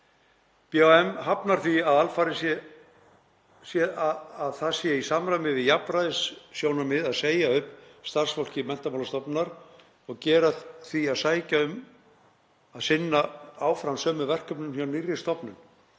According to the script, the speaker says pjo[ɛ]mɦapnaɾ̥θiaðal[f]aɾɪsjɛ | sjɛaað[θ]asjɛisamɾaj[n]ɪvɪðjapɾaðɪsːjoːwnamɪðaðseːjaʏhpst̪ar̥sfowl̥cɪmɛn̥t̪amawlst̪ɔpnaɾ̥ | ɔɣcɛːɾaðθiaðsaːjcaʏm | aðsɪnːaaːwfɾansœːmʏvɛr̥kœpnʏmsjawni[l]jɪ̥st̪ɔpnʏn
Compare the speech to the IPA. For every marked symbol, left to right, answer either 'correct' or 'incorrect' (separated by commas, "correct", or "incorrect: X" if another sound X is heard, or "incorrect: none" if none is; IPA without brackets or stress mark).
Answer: correct, correct, correct, incorrect: m, incorrect: r